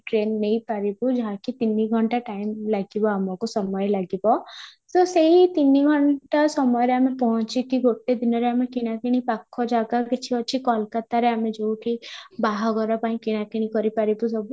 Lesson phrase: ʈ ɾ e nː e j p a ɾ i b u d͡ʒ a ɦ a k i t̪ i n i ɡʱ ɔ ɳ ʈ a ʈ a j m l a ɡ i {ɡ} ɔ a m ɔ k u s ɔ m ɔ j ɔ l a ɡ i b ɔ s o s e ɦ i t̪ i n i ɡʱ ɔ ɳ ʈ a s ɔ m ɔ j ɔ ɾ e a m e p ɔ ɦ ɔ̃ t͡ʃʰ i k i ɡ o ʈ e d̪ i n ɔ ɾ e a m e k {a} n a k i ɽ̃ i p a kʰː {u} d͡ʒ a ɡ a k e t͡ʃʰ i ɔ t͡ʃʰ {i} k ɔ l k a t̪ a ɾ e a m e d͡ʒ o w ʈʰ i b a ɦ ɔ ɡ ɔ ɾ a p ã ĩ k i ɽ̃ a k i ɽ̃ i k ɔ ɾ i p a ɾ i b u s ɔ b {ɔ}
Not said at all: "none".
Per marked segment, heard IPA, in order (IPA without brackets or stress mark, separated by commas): b, i, ɔ, i, u